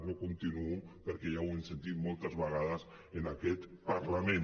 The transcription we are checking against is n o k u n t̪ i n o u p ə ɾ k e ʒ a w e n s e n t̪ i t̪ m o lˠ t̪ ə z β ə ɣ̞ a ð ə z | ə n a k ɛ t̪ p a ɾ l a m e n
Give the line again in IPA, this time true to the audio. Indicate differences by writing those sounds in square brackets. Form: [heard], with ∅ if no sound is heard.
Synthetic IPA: n o k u n t̪ i n [u] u p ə ɾ k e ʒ a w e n s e n t̪ i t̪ m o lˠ t̪ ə z β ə ɣ̞ a ð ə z | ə n a k ɛ t̪ p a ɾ l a m e n